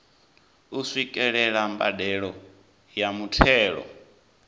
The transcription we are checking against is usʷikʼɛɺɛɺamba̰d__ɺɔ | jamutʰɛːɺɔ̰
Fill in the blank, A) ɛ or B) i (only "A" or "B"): A